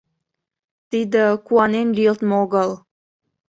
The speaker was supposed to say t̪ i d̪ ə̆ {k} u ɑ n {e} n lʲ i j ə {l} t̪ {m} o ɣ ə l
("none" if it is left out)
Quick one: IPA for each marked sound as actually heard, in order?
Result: k, e, l, m

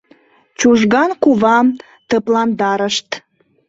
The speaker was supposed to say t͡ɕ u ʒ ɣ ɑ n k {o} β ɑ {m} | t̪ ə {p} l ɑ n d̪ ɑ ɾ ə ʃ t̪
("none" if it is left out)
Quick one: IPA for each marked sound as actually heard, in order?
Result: u, m, p

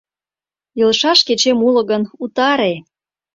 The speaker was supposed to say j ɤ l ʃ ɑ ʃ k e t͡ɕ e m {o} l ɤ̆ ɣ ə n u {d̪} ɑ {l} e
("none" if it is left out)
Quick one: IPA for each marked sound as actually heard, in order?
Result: u, t̪, ɾ

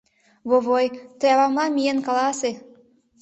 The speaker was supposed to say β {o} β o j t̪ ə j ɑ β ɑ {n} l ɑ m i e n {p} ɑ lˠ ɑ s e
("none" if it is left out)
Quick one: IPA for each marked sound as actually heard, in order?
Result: o, m, k

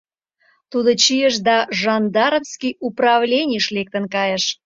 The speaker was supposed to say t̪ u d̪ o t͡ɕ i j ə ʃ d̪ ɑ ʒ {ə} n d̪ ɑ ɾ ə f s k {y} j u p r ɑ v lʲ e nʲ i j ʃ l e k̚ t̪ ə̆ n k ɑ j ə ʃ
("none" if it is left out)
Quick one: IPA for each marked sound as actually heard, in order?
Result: ɑ, i

